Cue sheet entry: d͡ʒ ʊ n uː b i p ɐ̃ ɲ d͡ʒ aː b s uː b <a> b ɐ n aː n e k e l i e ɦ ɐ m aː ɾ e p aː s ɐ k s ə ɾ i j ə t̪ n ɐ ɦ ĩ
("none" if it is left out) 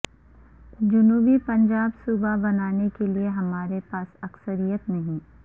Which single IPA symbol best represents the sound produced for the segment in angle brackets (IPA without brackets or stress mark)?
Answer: a